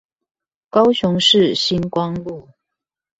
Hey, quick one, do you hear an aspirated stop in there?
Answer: no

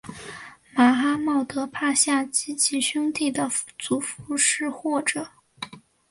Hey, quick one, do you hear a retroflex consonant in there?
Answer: yes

